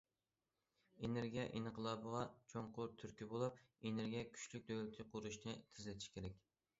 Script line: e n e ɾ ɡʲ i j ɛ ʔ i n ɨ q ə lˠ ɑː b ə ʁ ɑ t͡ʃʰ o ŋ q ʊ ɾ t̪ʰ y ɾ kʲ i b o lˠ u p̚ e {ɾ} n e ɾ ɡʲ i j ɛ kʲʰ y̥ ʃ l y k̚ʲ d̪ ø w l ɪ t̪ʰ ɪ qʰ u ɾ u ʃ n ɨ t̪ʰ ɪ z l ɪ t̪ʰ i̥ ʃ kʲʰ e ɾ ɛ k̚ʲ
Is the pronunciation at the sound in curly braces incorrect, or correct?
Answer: incorrect